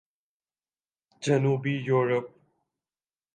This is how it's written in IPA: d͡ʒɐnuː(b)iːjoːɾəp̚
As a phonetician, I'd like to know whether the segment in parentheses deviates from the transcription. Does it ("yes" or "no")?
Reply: no